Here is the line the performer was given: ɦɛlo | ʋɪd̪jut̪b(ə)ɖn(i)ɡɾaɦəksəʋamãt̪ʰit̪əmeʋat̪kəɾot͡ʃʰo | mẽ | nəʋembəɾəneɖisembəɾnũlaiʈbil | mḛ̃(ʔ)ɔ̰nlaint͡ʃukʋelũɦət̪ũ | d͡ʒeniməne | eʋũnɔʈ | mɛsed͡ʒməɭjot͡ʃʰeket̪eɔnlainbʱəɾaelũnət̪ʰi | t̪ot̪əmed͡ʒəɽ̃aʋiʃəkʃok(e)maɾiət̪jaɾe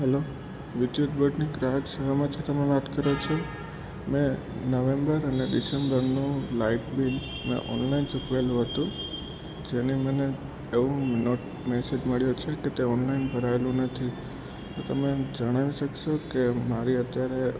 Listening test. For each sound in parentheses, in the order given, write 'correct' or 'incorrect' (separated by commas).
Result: correct, correct, correct, correct